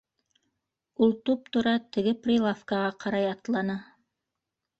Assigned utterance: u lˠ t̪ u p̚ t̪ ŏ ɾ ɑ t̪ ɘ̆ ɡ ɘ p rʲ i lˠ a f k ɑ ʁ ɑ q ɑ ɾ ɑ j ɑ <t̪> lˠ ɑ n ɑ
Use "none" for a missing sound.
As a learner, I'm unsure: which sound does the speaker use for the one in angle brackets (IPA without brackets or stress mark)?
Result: t̪